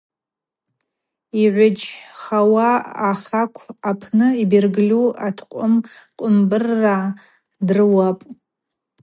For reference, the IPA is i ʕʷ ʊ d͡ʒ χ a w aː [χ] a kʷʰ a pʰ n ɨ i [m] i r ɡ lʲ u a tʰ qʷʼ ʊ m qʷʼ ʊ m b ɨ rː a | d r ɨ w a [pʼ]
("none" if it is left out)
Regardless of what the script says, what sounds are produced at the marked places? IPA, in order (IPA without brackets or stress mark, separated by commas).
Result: χ, b, pʼ